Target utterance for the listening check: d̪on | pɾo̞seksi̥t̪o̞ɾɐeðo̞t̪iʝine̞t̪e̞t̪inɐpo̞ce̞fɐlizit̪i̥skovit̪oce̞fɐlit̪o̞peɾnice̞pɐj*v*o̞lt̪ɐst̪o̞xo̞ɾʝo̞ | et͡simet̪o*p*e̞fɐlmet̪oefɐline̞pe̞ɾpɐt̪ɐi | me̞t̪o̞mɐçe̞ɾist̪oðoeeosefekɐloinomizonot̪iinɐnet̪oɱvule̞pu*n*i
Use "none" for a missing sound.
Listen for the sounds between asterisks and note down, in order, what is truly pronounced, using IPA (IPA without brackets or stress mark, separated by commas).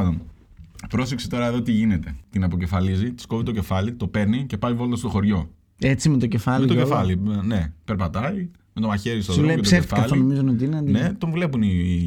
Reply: v, c, n